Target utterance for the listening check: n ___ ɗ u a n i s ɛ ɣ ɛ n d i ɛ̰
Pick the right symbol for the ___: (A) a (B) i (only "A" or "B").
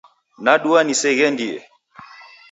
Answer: A